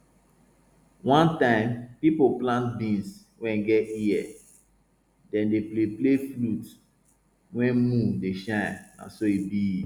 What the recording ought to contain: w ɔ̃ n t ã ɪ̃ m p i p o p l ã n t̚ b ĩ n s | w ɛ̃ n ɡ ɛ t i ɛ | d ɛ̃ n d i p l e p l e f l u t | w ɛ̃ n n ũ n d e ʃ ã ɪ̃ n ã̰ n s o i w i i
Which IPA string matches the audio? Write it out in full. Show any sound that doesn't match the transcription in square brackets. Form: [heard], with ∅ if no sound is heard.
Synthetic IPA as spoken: w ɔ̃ n t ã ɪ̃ m p i p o p l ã n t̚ b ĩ n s | w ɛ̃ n ɡ ɛ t i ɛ | d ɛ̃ n d [e] p l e p l e f l u t | w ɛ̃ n [m] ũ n d e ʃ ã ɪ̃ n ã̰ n s o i [b] i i

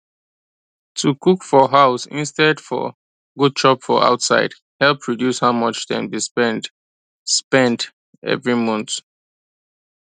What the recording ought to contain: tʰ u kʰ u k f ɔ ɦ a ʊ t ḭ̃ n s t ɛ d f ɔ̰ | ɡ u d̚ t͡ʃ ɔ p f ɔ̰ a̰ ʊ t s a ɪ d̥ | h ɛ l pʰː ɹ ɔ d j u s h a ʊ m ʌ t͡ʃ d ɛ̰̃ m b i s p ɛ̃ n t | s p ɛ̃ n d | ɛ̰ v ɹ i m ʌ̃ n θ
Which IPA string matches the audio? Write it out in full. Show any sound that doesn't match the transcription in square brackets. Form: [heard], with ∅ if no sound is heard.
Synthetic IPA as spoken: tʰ u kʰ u k f ɔ ɦ a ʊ [s] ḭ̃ n s t ɛ d f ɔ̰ | ɡ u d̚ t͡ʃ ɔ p f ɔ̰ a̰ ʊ t s a ɪ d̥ | h ɛ l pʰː ɹ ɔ d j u s h a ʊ m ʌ t͡ʃ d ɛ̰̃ [n] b i s p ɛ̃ n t | s p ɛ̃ n [t] | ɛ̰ v ɹ i m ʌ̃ n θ

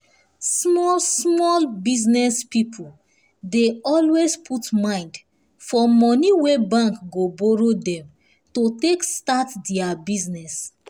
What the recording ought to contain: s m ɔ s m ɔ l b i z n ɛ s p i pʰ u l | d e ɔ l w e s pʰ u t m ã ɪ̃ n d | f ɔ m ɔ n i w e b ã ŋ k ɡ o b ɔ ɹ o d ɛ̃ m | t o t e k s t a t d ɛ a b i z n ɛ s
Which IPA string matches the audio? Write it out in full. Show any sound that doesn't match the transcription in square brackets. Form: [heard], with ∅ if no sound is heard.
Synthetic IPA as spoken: s m ɔ s m ɔ l b i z n ɛ s p i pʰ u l | d e ɔ l w e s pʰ u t m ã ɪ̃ n d | f ɔ m ɔ n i w e b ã ŋ k ɡ o b ɔ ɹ o d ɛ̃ m | t o t e k s t a t d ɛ a b i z n ɛ s

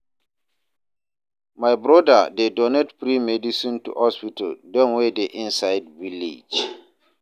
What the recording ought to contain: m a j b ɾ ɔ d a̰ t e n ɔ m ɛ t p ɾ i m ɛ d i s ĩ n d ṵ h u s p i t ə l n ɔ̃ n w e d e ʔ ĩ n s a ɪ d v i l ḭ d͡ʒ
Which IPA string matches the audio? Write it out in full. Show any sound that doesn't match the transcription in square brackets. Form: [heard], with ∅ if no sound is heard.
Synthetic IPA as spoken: m a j b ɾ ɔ d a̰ [d] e [d] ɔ [n] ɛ t p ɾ i m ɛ d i s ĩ n [t] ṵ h [ɔ] s p i t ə l [d] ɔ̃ n w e d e ʔ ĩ n s a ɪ d v i l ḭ d͡ʒ

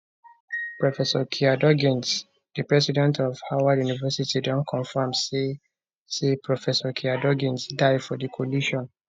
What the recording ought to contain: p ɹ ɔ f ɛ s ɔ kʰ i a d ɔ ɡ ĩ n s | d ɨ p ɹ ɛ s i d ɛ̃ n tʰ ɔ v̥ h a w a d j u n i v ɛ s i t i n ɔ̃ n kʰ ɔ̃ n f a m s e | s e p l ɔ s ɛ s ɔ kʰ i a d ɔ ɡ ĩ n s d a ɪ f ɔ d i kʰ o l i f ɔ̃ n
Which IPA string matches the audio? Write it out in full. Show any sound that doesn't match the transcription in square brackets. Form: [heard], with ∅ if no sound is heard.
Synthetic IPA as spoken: p ɹ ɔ f ɛ s ɔ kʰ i a d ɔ ɡ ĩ n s | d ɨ p ɹ ɛ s i d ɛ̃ n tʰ ɔ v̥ h a w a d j u n i v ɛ s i t i [d] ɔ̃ n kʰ ɔ̃ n f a m s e | s e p [ɹ] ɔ [f] ɛ s ɔ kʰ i a d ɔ ɡ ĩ n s d a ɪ f ɔ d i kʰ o l i [ʃ] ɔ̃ n

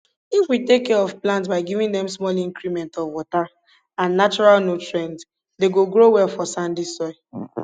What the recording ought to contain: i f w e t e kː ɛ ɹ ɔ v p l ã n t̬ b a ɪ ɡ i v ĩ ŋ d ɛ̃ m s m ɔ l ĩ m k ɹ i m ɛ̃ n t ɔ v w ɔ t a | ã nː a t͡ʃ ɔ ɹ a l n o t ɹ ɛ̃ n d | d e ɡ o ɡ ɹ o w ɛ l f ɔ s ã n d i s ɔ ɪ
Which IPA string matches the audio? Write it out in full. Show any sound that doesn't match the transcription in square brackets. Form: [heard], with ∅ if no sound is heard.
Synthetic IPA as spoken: i f w [i] t e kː ɛ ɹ ɔ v p l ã n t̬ b a ɪ ɡ i v ĩ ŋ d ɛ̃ m s m ɔ l ĩ [ŋ] k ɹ i m ɛ̃ n t ɔ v w ɔ t a | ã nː a t͡ʃ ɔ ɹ a l n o t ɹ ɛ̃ n d | d e ɡ o ɡ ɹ o w ɛ l f ɔ s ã n d i s ɔ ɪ

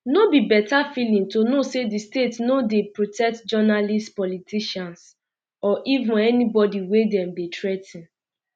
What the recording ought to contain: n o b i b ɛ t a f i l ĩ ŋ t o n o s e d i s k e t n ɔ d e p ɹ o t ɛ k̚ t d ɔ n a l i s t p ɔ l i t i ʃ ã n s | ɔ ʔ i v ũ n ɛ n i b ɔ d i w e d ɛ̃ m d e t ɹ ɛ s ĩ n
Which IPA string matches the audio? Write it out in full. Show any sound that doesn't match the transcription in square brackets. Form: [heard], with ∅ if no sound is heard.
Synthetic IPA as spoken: n o b i b ɛ t a f i l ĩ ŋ t o n o s e d i s [t] e t n [o] d e p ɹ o t ɛ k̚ t [d͡ʒ] ɔ n a l i s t p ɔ l i t i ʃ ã n s | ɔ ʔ i v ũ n ɛ n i b ɔ d i w e d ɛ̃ m d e t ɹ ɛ [t] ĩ n

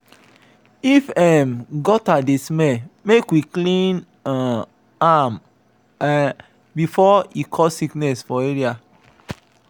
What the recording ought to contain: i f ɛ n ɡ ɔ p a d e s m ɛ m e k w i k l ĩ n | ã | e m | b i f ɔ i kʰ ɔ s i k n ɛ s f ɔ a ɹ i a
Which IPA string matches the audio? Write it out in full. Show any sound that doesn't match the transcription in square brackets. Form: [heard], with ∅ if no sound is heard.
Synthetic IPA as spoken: i f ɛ [m] ɡ ɔ [t] a d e s m ɛ m e k w i k l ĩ n | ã | [a] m | b i f ɔ i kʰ ɔ s i k n ɛ s f ɔ [e] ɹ i a

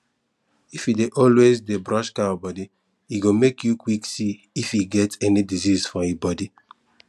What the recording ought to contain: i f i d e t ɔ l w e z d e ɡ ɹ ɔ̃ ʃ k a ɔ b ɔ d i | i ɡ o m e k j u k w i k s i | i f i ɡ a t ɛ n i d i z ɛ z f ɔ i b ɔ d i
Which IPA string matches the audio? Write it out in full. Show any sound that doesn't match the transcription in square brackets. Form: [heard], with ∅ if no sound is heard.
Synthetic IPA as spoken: i f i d e [ʔ] ɔ l w e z d e [b] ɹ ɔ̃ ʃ k a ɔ b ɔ d i | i ɡ o m e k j u k w i k s i | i f i ɡ [ɛ] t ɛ n i d i z [i] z f ɔ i b ɔ d i

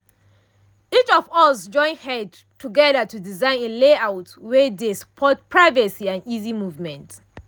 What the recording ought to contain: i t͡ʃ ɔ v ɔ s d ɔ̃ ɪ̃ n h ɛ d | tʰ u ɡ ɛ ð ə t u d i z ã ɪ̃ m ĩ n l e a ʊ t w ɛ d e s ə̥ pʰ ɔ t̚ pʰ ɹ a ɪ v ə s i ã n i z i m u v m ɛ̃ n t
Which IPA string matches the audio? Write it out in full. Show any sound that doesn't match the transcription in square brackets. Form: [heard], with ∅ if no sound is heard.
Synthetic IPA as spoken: i t͡ʃ ɔ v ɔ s [d͡ʒ] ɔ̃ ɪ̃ n h ɛ d | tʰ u ɡ ɛ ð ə t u d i z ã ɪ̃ [n] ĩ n l e a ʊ t w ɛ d e s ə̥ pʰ ɔ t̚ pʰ ɹ a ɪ v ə s i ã n i z i m u v m ɛ̃ n t

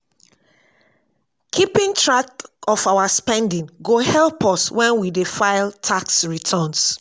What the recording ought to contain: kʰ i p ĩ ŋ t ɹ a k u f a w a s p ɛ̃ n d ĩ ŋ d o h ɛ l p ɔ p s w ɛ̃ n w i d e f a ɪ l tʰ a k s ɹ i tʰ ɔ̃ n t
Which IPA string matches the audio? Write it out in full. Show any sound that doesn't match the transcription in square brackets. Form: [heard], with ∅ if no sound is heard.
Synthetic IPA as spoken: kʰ i p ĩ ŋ t ɹ a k [ɔ] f a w a s p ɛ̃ n d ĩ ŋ [ɡ] o h ɛ l p ɔ [∅] s w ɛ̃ n w i d e f a ɪ l tʰ a k s ɹ i tʰ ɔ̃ n [s]

